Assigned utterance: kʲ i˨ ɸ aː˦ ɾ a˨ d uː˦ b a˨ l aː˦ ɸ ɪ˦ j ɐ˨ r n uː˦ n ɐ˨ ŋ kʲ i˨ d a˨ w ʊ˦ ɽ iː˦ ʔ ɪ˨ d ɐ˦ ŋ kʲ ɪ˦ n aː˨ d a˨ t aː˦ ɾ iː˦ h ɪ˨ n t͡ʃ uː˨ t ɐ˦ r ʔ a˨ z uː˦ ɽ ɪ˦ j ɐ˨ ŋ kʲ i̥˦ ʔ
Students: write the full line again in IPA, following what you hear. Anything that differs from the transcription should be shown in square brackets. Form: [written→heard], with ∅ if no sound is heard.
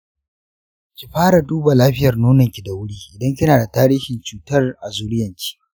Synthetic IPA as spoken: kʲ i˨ ɸ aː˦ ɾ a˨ d uː˦ b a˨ l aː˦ ɸ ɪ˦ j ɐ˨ r n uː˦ n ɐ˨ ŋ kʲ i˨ d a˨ w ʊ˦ ɽ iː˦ ʔ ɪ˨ d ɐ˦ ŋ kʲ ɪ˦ n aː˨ d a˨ t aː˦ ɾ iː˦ h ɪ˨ n t͡ʃ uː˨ t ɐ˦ r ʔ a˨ z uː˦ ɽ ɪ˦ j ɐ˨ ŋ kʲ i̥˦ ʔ

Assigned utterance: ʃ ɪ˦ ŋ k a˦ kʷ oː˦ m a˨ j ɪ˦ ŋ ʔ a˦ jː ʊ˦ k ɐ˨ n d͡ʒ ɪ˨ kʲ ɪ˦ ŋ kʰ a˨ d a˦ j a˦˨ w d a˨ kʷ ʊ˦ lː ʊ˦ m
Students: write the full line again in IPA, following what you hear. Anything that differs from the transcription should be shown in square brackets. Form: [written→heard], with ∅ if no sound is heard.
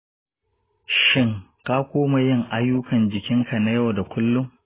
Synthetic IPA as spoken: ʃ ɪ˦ ŋ k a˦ kʷ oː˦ m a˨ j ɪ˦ ŋ ʔ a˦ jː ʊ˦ k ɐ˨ n d͡ʒ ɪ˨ kʲ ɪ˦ ŋ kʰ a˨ [d→n] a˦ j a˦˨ w d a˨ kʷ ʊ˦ lː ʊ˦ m

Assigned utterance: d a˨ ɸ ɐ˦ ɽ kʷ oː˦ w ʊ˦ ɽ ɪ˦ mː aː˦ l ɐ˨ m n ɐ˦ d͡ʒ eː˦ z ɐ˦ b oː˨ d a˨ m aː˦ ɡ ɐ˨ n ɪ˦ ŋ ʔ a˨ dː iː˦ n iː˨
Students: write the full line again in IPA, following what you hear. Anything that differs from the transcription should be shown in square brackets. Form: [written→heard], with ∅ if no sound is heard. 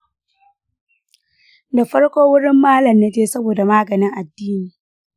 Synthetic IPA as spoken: d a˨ ɸ ɐ˦ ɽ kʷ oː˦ w ʊ˦ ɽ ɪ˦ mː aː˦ l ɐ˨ m n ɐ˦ d͡ʒ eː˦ [z→s] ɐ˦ b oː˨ d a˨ m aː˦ ɡ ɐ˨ n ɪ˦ ŋ ʔ a˨ dː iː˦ n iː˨

